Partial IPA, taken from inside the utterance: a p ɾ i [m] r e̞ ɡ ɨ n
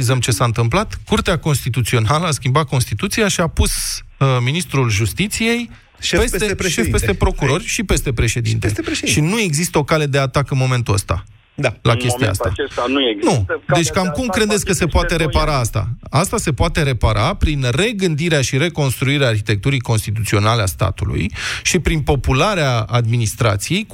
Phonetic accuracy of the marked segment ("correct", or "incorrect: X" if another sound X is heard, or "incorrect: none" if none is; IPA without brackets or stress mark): incorrect: n